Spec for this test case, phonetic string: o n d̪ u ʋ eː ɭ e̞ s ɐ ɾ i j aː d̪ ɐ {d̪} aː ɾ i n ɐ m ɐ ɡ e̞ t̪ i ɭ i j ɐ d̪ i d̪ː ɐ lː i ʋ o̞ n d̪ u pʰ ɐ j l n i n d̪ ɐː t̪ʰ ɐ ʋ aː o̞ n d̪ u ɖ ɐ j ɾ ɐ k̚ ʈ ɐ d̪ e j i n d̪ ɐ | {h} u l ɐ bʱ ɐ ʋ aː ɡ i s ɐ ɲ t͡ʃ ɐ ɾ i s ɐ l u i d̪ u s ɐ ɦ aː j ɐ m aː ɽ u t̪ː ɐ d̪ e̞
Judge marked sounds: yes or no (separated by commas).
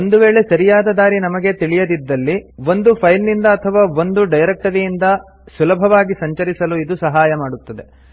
yes, no